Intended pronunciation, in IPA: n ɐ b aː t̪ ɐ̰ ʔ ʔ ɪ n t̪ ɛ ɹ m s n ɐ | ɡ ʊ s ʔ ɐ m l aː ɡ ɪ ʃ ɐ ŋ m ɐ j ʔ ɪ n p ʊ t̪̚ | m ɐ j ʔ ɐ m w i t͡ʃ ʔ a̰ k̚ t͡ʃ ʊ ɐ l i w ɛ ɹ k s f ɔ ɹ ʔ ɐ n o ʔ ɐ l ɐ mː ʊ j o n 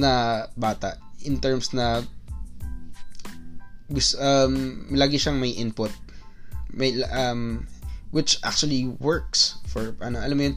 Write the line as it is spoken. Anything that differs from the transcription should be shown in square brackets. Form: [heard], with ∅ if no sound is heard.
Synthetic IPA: n ɐ b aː t̪ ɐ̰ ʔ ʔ ɪ n t̪ ɛ ɹ m s n ɐ | ɡ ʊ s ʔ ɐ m l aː ɡ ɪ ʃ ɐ ŋ m ɐ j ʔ ɪ n p ʊ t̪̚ | m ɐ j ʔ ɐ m w [ɪ] t͡ʃ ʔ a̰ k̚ t͡ʃ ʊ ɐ l i w ɛ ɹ k s f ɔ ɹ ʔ ɐ n o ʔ ɐ l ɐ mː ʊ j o n